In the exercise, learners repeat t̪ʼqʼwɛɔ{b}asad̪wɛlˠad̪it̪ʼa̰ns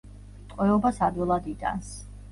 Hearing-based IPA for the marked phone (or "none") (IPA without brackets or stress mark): b